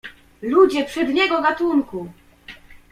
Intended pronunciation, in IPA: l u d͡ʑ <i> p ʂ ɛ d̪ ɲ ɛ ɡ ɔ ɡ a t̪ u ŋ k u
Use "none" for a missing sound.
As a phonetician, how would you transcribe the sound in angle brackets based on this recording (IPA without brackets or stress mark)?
ɛ